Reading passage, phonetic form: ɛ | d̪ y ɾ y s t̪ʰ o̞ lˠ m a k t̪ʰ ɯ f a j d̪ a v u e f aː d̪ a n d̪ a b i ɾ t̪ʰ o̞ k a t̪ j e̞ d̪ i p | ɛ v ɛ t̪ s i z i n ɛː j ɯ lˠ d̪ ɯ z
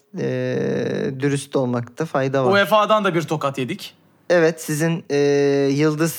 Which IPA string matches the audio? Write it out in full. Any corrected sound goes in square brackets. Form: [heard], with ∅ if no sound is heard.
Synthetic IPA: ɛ | d̪ y ɾ y s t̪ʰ o̞ lˠ m a k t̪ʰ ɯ f a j d̪ a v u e f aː d̪ a n d̪ a b i ɾ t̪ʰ o̞ k a t̪ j e̞ d̪ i [c] | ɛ v ɛ t̪ s i z i n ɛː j ɯ lˠ d̪ ɯ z